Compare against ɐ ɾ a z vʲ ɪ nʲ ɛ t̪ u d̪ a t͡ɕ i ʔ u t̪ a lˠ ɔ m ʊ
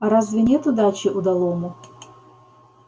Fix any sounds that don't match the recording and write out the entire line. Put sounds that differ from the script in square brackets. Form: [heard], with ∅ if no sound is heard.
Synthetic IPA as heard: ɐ ɾ a z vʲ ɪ nʲ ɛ t̪ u d̪ a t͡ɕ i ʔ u [d̪] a lˠ ɔ m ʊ